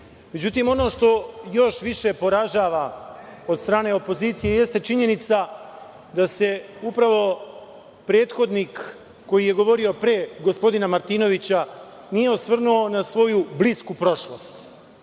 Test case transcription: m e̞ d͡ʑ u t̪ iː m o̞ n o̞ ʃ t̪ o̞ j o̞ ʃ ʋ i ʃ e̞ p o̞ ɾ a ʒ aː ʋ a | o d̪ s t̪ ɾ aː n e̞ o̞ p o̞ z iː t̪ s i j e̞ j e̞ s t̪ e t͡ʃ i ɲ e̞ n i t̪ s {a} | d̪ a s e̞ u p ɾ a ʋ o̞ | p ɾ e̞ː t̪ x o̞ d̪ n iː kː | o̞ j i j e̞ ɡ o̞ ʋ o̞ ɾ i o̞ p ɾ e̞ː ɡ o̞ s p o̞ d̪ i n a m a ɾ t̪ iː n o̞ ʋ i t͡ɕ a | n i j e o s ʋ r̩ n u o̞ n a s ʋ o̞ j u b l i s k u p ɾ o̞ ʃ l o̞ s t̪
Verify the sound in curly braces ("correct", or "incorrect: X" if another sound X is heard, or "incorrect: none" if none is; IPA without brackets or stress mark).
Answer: correct